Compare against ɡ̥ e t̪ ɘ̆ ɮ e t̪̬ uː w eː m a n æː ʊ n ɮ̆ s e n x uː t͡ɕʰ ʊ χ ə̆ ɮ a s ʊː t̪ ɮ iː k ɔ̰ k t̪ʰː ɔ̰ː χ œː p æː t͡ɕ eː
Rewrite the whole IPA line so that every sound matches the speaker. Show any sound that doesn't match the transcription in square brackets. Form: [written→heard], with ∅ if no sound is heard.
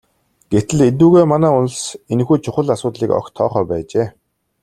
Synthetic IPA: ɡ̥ e t̪ ɘ̆ ɮ e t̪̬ uː [w→ɣ] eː m a n æː ʊ n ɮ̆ s e n x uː t͡ɕʰ ʊ χ ə̆ ɮ a s ʊː t̪ ɮ iː k ɔ̰ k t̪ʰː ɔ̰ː χ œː p æː t͡ɕ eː

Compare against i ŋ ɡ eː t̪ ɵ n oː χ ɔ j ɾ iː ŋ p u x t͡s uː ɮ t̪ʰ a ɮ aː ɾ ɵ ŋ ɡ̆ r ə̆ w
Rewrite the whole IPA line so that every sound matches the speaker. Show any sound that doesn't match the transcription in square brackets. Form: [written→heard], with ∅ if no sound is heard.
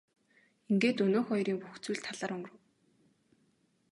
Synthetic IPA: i ŋ ɡ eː t̪ ɵ n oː [χ→x] ɔ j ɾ iː ŋ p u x t͡s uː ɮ t̪ʰ a ɮ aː ɾ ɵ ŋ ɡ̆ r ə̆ w

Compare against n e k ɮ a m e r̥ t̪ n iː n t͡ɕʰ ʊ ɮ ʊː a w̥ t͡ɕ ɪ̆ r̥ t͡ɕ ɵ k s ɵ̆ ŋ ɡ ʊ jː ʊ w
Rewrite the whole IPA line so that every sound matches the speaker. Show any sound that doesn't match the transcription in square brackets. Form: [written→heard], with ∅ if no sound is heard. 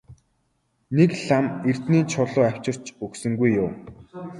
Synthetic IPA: n e k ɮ a m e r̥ t̪ n iː n t͡ɕʰ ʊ ɮ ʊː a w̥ t͡ɕ ɪ̆ r̥ t͡ɕ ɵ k s ɵ̆ ŋ ɡ [ʊ→u] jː ʊ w

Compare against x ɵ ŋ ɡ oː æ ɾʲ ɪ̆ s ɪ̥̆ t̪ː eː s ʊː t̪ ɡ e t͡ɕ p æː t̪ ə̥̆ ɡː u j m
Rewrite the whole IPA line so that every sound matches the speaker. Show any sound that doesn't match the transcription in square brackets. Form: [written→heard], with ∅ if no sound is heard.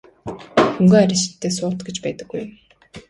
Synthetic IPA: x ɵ ŋ ɡ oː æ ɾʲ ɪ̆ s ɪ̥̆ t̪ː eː s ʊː t̪ ɡ e t͡ɕ p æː t̪ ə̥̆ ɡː u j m

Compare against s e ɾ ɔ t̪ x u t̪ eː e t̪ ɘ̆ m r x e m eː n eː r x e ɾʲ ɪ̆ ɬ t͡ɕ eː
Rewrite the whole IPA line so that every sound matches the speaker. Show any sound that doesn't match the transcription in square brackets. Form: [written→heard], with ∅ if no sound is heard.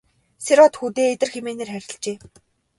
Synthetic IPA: s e ɾ ɔ t̪ x u t̪ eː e t̪ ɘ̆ [m→∅] r x e m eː n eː r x [e→æ] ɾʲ ɪ̆ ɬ t͡ɕ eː

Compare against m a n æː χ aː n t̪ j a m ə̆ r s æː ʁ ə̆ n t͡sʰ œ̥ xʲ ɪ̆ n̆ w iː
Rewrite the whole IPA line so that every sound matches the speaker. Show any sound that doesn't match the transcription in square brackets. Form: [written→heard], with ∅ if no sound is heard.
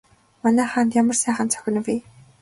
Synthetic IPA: m a n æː χ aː n t̪ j a m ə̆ r s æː [ʁ→χ] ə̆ n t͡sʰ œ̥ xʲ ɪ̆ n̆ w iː

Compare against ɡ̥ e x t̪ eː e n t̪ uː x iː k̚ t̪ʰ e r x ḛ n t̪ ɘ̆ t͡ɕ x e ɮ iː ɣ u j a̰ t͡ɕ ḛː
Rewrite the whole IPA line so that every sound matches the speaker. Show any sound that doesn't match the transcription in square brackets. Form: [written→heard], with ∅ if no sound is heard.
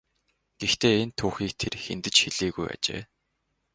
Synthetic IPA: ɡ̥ e x t̪ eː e n [t̪→t̪ʰ] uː x iː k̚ t̪ʰ e r x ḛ n t̪ ɘ̆ t͡ɕ x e ɮ iː ɣ u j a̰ t͡ɕ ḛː

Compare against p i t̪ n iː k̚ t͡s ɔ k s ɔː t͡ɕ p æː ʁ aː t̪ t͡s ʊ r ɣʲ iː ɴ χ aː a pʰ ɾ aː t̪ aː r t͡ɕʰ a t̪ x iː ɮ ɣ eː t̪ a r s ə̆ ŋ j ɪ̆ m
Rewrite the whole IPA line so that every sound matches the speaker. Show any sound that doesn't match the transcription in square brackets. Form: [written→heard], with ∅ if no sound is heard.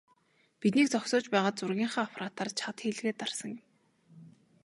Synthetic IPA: p i t̪ n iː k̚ t͡s ɔ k s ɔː t͡ɕ p æː ʁ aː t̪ t͡s ʊ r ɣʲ iː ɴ χ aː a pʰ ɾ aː t̪ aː r t͡ɕʰ a t̪ x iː ɮ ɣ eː t̪ a r s ə̆ ŋ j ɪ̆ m

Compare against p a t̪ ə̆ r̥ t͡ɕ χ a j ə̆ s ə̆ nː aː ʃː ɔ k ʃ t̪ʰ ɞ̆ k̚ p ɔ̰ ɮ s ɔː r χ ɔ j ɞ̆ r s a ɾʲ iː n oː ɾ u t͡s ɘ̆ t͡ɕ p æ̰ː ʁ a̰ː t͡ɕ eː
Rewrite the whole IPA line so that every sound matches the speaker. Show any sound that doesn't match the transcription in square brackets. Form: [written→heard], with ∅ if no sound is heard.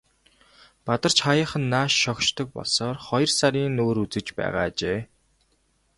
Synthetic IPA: p a t̪ ə̆ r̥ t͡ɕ χ a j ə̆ [s→χ] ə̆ nː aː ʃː ɔ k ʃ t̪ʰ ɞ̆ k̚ p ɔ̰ ɮ s ɔː r χ ɔ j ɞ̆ r s a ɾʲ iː n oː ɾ u t͡s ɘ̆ t͡ɕ p æ̰ː ʁ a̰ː t͡ɕ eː

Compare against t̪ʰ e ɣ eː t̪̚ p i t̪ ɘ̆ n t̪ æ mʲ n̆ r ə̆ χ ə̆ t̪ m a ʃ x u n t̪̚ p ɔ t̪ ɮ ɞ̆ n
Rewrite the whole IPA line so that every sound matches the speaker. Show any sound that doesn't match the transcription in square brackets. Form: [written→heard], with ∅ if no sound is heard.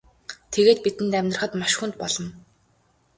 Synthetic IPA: t̪ʰ e ɣ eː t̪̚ p i t̪ ɘ̆ n t̪ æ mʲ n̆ r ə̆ χ ə̆ t̪ m a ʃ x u n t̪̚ p ɔ [t̪→∅] ɮ ɞ̆ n

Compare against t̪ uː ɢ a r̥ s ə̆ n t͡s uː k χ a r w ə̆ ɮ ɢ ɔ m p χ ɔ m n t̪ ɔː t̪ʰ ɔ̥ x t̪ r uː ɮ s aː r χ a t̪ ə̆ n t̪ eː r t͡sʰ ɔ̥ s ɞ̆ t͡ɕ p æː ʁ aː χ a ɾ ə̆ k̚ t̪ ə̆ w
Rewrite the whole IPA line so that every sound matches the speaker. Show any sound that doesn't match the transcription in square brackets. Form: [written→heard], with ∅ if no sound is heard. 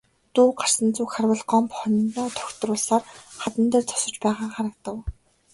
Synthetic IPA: t̪ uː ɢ a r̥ s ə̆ n t͡s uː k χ a r w ə̆ ɮ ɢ ɔ m p χ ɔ [m→n] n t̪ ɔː t̪ʰ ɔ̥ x t̪ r [uː→ʊː] ɮ s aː r χ a t̪ ə̆ n t̪ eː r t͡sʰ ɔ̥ s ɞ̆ t͡ɕ p æː ʁ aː χ a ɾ ə̆ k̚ t̪ ə̆ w

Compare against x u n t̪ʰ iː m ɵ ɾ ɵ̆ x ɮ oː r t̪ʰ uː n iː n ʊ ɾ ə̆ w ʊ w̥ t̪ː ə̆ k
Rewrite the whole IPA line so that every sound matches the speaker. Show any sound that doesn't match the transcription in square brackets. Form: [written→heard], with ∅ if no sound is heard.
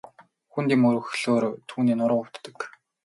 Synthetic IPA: x u n [t̪ʰ→t̪] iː m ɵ ɾ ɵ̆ x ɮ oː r t̪ʰ uː n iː n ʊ ɾ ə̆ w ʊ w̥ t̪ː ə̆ k

